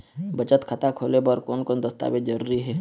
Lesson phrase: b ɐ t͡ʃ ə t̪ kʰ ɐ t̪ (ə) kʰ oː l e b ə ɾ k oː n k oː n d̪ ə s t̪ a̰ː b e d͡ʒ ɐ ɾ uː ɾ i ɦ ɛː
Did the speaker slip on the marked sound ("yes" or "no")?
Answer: yes